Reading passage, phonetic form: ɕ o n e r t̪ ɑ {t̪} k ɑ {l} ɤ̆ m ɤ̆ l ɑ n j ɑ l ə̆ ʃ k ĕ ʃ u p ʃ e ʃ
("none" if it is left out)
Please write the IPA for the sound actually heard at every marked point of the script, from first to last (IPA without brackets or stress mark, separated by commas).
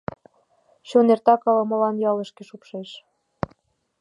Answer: none, l